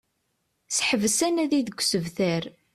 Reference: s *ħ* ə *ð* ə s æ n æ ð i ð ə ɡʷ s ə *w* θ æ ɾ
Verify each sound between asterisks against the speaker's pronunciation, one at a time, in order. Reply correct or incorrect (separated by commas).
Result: correct, incorrect, incorrect